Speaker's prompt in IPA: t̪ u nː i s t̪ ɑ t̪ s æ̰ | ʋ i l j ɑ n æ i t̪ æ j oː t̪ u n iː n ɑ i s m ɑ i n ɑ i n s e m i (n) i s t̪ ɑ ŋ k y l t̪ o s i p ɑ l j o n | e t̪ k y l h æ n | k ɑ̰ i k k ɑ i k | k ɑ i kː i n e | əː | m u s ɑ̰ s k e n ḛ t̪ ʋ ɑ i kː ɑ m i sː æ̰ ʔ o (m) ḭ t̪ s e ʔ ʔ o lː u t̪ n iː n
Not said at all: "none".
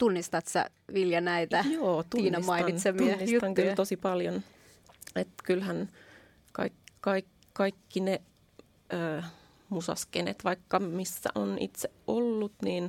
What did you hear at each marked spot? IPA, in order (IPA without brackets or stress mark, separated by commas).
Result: nː, n